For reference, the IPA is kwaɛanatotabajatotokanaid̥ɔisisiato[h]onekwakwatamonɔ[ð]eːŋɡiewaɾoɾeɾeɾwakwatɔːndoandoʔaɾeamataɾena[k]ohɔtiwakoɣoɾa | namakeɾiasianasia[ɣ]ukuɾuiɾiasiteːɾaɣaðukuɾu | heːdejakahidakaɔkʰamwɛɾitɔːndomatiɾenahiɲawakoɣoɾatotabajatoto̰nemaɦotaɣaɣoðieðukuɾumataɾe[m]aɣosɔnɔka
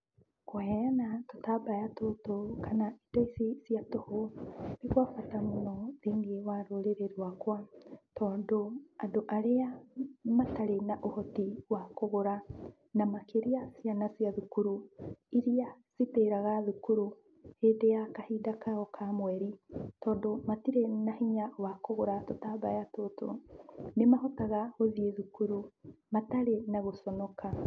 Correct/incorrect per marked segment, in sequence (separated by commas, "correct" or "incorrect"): correct, correct, incorrect, incorrect, incorrect